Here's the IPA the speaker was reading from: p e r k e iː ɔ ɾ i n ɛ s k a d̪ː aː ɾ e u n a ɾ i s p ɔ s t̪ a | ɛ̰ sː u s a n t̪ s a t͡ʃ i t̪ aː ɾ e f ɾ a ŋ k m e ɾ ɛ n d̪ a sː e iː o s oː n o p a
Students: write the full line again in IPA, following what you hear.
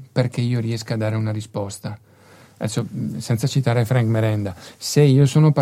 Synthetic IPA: p e r k e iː o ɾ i ɛ s k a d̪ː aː ɾ e u n a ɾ i s p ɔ s t̪ a | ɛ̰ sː o s ɛ n t̪ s a t͡ʃ i t̪ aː ɾ e f ɾ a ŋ k m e ɾ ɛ n d̪ a s e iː o s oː n o p a